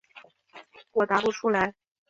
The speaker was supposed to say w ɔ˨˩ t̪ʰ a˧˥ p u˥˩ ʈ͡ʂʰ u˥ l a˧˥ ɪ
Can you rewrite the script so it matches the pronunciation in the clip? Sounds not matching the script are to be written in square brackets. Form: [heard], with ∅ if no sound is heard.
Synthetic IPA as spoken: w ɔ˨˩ [t̪] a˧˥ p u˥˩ ʈ͡ʂʰ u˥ l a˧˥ ɪ